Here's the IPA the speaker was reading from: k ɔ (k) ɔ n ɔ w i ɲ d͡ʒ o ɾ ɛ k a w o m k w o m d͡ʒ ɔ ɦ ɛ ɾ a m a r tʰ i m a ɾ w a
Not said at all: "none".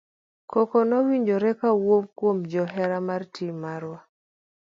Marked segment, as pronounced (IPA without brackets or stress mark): k